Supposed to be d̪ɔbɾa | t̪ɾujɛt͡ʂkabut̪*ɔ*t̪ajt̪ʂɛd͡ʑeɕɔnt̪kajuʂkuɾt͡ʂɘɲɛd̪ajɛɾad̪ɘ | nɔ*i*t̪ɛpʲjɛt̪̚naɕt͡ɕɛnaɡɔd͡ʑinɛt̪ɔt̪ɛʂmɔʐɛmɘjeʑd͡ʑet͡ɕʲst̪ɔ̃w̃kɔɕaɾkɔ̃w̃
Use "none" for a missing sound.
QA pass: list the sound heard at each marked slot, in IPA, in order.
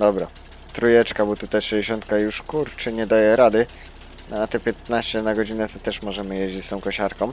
u, a

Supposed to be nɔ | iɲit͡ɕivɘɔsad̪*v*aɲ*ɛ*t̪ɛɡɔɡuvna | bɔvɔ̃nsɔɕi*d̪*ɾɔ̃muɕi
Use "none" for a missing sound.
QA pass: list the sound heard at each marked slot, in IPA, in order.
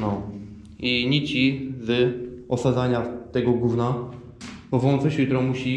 z, a, t̪

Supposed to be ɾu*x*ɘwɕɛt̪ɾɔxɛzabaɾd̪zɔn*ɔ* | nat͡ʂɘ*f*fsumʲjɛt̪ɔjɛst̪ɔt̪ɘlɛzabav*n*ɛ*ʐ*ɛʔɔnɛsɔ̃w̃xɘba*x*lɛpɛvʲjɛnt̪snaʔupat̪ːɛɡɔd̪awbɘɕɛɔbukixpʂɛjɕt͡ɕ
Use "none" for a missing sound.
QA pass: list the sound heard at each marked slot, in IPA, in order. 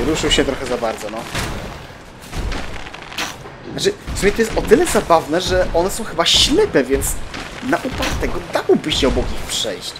ʂ, ɔ, f, n, ʐ, ɕ

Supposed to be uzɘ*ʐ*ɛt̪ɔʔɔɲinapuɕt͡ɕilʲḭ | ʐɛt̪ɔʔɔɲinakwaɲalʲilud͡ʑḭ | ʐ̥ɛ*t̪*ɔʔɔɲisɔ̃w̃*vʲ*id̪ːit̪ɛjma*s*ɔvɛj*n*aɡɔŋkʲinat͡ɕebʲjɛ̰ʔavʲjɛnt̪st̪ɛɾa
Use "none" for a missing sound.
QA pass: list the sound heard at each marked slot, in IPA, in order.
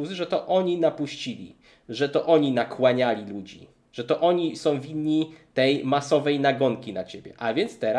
ʐ, t̪, vʲ, s, n

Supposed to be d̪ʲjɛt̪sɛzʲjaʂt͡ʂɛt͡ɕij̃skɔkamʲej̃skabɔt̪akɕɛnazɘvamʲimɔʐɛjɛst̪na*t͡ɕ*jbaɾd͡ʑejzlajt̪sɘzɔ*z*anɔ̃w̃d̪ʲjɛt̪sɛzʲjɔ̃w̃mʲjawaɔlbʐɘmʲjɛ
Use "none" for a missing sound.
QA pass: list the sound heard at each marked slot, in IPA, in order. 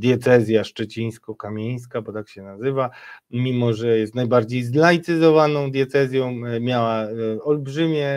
none, v

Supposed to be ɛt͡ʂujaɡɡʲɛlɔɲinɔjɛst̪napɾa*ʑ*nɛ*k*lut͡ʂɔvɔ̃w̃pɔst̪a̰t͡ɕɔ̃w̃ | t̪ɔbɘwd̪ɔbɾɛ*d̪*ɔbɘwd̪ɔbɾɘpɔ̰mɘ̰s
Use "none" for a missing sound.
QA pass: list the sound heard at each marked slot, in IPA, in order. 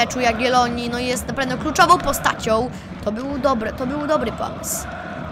v, k, t̪

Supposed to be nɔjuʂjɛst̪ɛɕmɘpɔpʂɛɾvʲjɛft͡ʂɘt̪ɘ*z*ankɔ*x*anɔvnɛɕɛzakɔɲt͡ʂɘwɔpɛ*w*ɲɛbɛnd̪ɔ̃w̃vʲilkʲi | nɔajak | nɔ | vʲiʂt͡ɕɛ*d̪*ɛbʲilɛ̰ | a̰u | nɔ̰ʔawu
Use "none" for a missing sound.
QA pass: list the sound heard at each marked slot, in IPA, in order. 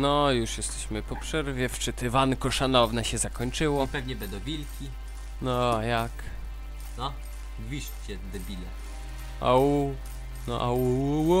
v, ʂ, v, d̪

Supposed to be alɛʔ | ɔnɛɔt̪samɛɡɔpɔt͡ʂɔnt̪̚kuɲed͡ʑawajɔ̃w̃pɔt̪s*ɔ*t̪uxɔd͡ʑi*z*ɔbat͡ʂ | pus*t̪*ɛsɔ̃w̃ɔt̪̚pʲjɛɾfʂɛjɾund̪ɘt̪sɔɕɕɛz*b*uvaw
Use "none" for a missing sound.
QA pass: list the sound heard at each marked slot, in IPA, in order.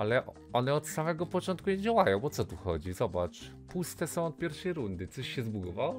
ɔ, z, t̪, b

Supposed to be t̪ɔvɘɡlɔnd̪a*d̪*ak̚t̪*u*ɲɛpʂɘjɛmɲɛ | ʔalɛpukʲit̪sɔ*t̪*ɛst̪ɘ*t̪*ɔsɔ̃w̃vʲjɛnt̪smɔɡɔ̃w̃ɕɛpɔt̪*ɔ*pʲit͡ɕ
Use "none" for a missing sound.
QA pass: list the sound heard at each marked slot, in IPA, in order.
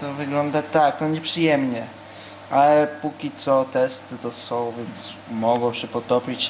t̪, ɔ, t̪, t̪, ɔ

